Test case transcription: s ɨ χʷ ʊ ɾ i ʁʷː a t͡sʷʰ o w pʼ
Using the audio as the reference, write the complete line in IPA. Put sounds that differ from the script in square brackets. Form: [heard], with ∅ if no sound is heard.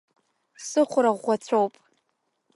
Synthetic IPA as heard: s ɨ χʷ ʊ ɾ [a] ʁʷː a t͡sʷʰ o w pʼ